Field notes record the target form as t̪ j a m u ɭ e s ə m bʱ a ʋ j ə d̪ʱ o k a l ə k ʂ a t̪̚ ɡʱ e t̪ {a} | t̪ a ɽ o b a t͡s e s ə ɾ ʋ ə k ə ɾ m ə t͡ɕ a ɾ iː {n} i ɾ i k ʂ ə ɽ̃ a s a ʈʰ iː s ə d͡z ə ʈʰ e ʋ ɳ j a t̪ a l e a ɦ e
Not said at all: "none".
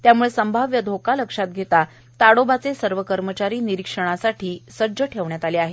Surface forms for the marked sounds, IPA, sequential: a, n

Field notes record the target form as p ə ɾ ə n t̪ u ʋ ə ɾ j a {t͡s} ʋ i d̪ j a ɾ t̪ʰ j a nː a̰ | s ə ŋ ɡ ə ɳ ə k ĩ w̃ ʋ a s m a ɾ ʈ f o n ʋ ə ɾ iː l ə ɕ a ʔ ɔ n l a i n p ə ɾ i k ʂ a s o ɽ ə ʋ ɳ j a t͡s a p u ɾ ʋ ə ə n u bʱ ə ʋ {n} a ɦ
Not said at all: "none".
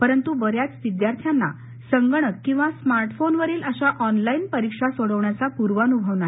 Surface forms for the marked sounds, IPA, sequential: t͡s, n

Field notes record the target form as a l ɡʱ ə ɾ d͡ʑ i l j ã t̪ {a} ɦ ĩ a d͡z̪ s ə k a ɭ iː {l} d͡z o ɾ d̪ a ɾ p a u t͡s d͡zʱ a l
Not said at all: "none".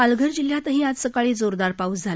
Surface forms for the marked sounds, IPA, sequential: ə, none

